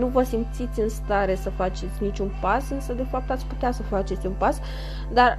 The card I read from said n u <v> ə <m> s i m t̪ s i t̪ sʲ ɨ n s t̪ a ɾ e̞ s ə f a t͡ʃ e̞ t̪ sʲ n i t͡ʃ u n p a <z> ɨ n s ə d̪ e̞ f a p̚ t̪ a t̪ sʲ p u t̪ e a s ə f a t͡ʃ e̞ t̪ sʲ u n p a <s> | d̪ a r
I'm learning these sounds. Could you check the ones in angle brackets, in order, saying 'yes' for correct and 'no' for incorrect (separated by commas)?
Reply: yes, no, no, yes